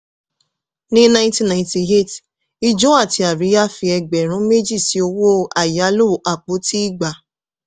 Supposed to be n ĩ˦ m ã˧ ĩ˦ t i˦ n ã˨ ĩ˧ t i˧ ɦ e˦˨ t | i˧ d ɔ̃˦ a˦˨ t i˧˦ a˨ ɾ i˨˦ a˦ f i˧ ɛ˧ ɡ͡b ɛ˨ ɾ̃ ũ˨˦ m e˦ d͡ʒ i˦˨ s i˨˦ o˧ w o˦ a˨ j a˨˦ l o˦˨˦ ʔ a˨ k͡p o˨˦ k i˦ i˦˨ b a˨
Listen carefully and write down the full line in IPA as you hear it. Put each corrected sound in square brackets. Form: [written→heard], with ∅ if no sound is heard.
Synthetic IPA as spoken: n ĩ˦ [m→n] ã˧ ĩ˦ t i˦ n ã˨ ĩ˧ t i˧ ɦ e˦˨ t | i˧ [d→d͡ʒ] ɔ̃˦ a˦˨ t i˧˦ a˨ ɾ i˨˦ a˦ f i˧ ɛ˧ ɡ͡b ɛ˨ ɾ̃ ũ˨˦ m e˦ d͡ʒ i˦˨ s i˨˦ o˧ w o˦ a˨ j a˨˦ l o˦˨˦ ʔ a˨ k͡p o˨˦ [k→t] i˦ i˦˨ [b→ɡ͡b] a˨